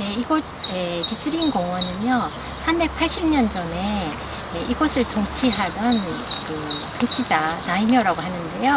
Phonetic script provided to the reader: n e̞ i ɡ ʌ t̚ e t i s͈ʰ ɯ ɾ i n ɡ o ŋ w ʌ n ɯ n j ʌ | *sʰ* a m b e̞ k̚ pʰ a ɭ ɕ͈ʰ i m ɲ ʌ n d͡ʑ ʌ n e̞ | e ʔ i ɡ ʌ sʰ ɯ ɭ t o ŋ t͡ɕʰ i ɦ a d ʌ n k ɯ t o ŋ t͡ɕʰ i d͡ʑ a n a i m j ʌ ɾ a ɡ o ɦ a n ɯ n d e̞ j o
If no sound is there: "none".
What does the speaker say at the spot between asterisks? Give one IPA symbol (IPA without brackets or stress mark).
sʰ